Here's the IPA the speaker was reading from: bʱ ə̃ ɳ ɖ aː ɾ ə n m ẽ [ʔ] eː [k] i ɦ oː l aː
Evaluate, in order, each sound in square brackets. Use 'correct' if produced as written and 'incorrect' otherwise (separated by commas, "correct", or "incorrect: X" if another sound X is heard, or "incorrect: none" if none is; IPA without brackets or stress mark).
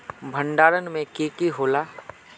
incorrect: k, correct